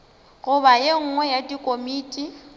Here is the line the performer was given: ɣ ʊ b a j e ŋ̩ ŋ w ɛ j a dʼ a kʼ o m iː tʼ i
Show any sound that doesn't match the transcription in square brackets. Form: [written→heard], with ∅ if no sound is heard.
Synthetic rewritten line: ɣ ʊ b a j e ŋ̩ ŋ w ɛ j a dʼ [a→i] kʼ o m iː tʼ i

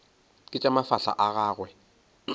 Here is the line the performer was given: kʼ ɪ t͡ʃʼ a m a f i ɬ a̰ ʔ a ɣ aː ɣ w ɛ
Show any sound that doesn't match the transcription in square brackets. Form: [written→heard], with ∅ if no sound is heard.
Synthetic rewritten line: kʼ ɪ t͡ʃʼ a m a f [i→a] ɬ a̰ ʔ a ɣ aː ɣ w ɛ

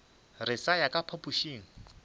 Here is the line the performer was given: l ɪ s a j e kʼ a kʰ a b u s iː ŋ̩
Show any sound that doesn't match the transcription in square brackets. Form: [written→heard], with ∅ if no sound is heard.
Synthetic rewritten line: [l→r] ɪ s a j [e→a] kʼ a [kʰ→pʰ] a [b→p] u [s→ʃ] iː ŋ̩

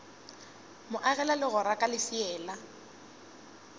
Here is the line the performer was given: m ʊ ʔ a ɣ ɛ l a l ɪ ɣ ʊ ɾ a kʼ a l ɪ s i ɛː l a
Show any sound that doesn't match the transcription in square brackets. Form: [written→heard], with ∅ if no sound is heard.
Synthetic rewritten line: m ʊ ʔ a ɣ ɛ l a l ɪ ɣ ʊ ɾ a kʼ a l ɪ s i ɛː l a

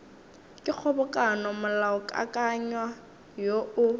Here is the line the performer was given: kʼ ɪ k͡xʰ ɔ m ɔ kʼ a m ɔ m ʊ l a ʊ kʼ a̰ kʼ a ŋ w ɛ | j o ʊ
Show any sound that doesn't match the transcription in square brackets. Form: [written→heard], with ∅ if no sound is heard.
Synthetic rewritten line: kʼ ɪ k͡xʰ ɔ [m→b] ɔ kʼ a [m→n] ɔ m ʊ l a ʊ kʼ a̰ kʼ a [ŋ→ɲ] w [ɛ→a] | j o ʊ

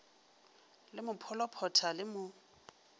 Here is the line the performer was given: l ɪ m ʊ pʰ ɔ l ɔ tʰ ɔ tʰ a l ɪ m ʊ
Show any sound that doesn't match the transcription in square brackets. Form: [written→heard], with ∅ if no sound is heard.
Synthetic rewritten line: l ɪ m ʊ pʰ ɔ l ɔ [tʰ→pʰ] ɔ tʰ a l ɪ m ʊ

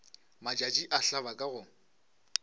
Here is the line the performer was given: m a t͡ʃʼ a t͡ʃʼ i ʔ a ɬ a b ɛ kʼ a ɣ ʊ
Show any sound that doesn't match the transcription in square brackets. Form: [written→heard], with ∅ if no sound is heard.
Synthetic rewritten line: m a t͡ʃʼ a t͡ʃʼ i ʔ a ɬ a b [ɛ→a] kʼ a ɣ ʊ

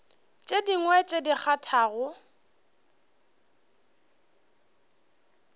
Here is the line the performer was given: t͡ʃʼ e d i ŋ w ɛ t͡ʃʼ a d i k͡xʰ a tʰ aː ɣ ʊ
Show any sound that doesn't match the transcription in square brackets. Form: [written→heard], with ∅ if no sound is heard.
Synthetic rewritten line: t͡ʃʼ e d i ŋ w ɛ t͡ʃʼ [a→e] d i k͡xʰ a tʰ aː ɣ ʊ

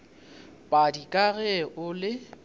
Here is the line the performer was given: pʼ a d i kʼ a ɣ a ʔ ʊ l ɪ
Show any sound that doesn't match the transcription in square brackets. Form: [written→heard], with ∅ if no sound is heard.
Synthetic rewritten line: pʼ a d i kʼ a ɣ [a→ɛ] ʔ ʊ l ɪ

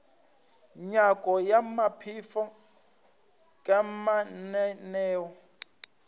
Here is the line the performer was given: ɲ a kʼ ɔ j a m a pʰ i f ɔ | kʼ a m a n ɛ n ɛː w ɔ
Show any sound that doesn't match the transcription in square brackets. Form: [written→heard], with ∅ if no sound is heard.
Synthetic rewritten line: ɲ a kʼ ɔ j a m a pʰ i f ɔ | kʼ a m a n ɛ n ɛː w ɔ

